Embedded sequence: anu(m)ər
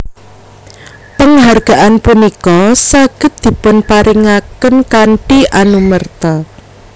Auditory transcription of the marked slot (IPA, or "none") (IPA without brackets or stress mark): m